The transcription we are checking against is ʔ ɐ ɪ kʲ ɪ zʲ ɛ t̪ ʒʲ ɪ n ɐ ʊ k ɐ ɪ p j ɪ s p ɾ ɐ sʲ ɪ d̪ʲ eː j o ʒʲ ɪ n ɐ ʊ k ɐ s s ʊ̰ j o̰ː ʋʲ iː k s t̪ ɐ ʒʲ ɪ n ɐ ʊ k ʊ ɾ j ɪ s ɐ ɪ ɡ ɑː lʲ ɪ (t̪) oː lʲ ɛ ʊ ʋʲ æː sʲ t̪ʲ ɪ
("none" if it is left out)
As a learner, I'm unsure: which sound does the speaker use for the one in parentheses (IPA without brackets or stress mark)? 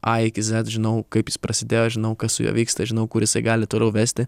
t̪